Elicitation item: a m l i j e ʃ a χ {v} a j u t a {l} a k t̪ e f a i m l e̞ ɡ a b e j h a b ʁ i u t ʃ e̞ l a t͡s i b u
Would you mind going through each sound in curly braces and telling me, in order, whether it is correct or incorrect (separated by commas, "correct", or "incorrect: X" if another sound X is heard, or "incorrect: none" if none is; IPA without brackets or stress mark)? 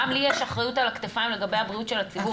incorrect: ʁ, correct